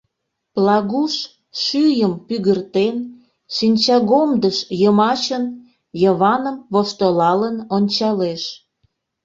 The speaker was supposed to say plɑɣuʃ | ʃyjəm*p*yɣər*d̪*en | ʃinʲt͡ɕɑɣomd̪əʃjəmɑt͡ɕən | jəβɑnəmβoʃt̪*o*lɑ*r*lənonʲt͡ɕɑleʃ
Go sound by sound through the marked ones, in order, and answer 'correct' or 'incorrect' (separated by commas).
correct, incorrect, correct, incorrect